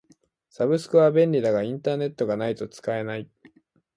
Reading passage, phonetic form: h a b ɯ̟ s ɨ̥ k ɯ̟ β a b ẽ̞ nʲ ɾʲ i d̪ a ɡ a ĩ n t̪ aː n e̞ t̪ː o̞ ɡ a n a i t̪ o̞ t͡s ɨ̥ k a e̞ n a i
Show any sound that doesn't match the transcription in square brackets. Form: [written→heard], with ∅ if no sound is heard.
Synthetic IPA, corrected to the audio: [h→s] a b ɯ̟ s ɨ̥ k ɯ̟ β a b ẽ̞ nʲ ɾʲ i d̪ a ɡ a ĩ n t̪ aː n e̞ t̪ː o̞ ɡ a n a i t̪ o̞ t͡s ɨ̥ k a e̞ n a i